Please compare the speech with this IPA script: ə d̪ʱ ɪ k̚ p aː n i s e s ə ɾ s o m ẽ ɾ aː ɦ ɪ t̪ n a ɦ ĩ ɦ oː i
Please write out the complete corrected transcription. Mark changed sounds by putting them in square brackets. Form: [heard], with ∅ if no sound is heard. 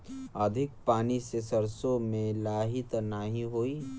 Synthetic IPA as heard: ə d̪ʱ ɪ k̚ p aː n i s e s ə ɾ s o m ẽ [l] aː ɦ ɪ t̪ n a ɦ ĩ ɦ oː i